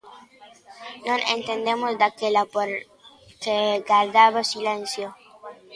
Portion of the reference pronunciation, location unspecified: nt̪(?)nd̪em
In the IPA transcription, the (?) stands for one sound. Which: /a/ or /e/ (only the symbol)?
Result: e